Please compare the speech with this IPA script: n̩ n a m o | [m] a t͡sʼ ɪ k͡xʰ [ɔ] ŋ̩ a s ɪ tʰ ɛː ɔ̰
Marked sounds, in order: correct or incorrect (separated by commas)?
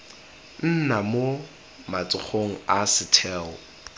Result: correct, incorrect